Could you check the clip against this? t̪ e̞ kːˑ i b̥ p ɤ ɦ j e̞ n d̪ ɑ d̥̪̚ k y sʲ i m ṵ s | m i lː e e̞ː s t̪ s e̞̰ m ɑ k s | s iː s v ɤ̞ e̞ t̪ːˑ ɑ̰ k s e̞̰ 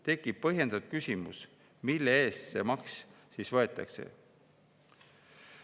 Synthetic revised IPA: t̪ e̞ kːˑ i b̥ p ɤ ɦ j e̞ n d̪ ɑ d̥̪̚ k y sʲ i m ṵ s | m i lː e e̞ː s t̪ s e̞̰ m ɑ k s | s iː s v ɤ̞ e̞ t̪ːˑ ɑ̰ k s e̞̰